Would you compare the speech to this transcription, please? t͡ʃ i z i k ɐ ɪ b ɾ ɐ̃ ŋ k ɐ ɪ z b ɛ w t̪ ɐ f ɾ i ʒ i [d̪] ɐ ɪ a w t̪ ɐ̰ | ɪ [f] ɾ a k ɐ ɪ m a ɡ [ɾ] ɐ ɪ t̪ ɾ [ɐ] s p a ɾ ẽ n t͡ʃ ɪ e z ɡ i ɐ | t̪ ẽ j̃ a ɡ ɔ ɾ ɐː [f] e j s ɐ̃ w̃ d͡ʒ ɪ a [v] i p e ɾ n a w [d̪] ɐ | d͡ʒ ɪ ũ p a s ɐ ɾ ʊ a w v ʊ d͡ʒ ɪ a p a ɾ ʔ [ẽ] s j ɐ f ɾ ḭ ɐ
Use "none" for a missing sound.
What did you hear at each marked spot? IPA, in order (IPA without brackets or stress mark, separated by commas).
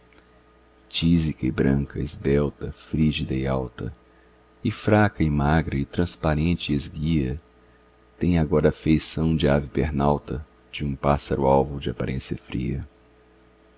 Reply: d̪, f, ɾ, ɐ̃, f, v, t̪, ẽ